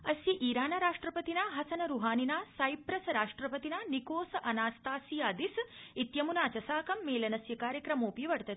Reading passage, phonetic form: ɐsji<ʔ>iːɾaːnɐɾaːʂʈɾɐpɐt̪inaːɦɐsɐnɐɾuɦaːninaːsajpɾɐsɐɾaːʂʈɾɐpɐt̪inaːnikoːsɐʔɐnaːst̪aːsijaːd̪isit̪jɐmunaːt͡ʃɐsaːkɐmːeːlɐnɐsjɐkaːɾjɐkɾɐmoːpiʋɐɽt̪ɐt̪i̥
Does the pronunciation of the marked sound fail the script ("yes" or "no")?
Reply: no